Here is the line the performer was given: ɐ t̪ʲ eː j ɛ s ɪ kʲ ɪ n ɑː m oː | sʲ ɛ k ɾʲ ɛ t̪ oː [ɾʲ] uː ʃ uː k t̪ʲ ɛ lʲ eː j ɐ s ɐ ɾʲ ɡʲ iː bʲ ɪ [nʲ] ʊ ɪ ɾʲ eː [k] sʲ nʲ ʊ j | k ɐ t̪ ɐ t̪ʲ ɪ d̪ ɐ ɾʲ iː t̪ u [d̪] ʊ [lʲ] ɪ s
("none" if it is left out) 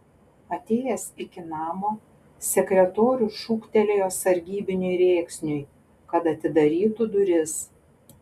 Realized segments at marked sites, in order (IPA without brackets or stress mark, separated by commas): ɾʲ, nʲ, k, d̪, ɾʲ